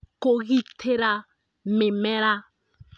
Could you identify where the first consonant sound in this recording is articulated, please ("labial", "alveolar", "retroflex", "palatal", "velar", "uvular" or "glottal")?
velar